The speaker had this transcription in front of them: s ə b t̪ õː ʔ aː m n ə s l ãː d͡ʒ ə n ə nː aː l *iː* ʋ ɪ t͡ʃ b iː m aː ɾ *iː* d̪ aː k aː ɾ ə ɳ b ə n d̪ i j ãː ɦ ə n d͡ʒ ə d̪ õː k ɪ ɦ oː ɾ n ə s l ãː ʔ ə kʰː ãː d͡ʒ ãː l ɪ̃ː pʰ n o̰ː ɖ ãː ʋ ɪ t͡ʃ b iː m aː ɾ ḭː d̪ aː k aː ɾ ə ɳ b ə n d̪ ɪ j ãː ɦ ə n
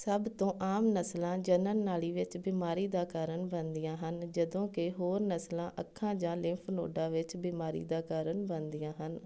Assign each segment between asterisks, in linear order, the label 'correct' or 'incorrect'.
correct, correct

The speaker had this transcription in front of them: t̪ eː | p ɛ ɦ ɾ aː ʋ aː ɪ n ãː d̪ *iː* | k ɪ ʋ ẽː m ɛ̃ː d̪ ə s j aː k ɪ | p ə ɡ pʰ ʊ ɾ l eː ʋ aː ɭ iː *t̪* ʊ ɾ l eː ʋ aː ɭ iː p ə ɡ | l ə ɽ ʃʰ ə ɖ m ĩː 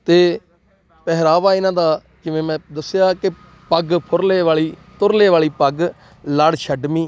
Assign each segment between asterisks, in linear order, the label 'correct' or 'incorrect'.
incorrect, correct

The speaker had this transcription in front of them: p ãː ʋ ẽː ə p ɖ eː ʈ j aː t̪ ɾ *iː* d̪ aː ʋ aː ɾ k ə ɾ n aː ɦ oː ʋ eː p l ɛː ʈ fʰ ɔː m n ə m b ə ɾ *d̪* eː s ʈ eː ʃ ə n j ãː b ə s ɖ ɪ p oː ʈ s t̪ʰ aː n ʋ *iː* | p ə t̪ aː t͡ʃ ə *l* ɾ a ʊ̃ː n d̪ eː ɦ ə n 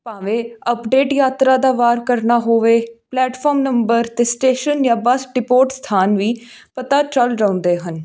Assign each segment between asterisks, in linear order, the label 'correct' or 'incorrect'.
incorrect, incorrect, correct, correct

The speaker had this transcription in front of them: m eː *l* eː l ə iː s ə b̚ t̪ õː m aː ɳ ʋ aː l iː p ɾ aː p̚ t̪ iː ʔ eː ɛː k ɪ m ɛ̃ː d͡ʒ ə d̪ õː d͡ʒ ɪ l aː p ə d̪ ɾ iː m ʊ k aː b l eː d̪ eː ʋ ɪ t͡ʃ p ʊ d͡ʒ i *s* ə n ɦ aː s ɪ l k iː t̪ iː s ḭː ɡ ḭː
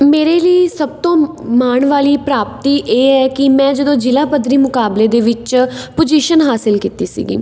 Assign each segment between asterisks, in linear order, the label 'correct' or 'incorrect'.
incorrect, incorrect

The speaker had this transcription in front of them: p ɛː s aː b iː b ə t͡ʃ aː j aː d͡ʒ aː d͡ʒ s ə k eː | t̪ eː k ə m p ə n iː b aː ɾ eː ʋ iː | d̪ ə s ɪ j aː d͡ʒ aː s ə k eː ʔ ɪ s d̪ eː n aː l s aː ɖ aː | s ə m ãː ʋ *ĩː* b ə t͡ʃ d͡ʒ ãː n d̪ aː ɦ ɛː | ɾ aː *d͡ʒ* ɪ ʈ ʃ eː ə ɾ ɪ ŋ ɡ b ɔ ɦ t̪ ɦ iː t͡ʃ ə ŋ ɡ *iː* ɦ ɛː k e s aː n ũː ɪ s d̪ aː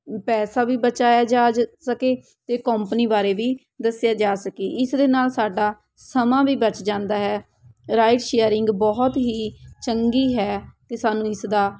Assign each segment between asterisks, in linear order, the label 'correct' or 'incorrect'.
incorrect, incorrect, correct

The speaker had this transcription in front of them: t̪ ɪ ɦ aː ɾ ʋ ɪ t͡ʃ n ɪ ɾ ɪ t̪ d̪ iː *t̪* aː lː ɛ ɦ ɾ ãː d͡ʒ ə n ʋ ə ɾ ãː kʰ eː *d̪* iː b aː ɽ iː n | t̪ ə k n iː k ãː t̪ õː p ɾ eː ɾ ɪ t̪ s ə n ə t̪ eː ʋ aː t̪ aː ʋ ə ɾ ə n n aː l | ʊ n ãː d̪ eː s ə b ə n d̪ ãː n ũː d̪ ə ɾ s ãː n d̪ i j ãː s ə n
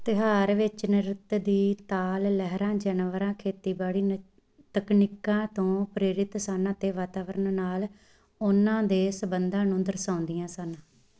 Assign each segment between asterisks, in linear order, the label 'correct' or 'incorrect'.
correct, incorrect

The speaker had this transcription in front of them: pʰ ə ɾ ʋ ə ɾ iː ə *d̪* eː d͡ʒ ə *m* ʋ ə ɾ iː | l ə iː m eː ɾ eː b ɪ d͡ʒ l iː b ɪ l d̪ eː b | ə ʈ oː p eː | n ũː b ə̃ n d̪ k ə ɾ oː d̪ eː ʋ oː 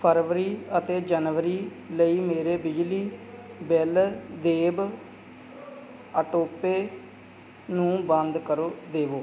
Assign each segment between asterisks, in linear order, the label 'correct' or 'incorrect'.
incorrect, incorrect

